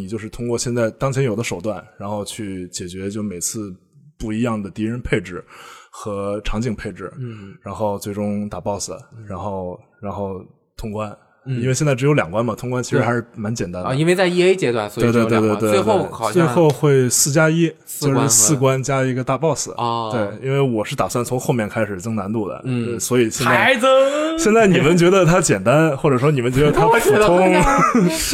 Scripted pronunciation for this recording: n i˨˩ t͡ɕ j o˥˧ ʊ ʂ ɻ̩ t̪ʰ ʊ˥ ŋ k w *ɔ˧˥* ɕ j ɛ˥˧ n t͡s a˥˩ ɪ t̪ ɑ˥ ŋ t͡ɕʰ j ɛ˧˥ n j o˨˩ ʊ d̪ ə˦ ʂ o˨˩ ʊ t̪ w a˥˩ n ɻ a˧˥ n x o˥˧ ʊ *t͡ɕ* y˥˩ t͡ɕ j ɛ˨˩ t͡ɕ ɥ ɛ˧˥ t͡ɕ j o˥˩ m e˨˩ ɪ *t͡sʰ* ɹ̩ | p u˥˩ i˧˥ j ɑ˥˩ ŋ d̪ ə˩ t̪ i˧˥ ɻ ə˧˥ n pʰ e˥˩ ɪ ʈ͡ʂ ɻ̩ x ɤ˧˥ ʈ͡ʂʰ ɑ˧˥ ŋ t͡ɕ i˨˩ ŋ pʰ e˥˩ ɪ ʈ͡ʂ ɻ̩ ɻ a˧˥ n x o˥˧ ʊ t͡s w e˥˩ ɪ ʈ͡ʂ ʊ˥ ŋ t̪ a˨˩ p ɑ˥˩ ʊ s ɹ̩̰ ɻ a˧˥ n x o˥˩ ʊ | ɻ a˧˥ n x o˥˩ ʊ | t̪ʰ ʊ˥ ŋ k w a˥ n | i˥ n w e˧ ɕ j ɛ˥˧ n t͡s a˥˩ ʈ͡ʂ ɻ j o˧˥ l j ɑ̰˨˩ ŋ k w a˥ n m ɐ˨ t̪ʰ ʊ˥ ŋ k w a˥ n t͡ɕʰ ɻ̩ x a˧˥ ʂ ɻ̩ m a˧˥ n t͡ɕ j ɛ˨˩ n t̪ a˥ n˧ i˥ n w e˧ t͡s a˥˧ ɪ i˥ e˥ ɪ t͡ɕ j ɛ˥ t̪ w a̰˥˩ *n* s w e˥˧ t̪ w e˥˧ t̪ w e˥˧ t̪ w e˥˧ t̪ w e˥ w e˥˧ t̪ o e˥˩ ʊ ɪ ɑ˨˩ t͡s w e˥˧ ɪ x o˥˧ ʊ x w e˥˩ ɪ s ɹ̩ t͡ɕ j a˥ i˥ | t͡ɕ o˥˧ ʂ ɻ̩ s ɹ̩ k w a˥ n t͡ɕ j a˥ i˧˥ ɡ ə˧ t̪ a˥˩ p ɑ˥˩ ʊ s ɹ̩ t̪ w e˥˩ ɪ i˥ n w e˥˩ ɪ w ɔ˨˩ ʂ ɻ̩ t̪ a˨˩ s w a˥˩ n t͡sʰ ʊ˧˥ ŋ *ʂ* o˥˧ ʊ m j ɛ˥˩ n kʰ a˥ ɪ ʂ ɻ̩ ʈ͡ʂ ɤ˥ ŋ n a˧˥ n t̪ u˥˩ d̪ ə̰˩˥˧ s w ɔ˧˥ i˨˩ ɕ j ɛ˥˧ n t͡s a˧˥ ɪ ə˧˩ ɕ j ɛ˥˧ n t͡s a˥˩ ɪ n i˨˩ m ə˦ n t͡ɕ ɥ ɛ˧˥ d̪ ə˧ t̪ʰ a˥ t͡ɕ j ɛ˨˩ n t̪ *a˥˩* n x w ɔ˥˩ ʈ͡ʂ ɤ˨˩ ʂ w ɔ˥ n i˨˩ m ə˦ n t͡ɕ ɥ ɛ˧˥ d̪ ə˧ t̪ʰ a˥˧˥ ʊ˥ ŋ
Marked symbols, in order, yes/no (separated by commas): no, no, yes, yes, no, no